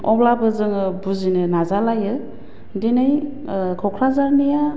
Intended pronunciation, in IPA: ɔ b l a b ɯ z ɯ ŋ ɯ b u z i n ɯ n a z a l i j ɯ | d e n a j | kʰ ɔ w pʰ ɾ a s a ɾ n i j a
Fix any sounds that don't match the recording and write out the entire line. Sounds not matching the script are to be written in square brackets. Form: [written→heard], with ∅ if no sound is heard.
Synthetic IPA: ɔ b l a b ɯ z ɯ ŋ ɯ b u z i n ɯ n a z a l [i→a] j ɯ | d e n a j | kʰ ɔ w [pʰ→kʰ] ɾ a [s→z] a ɾ n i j a